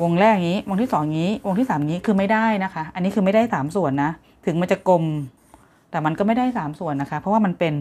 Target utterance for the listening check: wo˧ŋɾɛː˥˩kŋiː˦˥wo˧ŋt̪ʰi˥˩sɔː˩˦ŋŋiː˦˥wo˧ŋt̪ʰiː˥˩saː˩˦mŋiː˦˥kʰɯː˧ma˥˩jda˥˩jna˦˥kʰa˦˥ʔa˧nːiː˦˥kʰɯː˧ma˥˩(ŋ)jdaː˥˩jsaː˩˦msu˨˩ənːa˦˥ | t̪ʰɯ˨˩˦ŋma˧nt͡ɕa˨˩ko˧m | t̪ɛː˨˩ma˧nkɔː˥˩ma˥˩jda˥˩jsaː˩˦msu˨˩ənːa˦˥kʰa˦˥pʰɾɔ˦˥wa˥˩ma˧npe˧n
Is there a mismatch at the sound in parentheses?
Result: yes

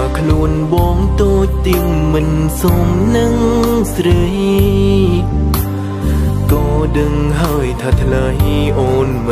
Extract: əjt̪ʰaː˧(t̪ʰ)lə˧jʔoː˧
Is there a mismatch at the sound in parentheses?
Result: no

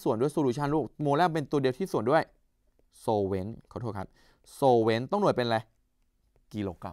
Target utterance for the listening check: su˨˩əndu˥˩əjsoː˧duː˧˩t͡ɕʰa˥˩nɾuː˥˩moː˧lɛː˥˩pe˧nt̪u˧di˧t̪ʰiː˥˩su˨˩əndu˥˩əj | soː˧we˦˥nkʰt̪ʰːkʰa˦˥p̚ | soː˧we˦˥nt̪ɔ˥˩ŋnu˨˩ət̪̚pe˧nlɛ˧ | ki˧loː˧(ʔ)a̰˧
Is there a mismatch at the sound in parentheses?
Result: yes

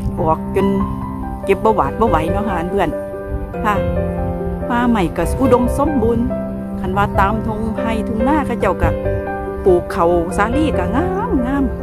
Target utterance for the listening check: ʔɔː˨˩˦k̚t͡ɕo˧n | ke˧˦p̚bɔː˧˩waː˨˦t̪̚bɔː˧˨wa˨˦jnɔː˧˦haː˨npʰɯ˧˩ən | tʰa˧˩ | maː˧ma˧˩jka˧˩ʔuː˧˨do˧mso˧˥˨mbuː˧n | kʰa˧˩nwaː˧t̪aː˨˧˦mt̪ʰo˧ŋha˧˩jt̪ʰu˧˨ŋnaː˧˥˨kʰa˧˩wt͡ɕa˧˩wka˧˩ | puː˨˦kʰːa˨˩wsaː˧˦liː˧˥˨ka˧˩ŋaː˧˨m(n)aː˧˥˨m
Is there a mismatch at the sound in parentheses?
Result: yes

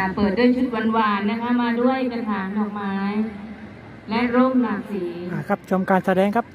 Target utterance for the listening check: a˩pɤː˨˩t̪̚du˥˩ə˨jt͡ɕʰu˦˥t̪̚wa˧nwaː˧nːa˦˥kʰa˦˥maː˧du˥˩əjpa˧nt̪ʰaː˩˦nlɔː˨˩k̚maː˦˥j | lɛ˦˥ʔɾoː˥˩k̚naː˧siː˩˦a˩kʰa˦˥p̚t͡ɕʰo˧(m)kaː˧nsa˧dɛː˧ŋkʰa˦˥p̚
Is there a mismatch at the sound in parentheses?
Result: no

